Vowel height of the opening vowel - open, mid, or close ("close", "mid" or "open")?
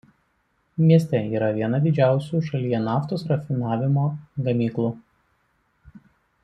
close